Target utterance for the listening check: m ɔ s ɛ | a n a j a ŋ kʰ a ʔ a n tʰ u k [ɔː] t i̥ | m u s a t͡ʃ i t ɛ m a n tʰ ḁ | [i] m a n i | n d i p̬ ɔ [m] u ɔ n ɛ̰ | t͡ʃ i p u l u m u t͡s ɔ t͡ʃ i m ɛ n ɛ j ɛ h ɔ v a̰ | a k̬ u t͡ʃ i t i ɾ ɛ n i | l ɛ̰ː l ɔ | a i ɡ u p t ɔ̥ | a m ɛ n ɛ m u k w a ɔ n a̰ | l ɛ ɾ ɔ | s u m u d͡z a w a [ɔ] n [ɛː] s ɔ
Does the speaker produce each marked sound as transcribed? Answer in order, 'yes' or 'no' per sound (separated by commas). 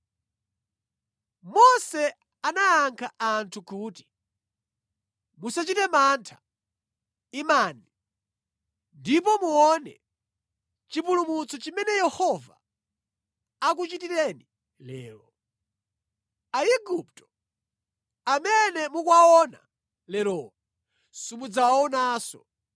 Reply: no, yes, yes, yes, no